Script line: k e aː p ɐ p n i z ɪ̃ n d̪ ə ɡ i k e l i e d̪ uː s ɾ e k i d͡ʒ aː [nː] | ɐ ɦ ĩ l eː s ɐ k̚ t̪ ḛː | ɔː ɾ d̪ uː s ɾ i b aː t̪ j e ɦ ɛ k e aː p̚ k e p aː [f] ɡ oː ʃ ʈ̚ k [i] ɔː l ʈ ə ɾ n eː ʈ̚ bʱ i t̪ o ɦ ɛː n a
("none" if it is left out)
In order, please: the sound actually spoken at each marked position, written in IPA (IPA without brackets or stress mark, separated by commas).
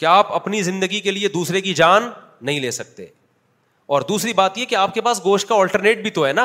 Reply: nː, s, a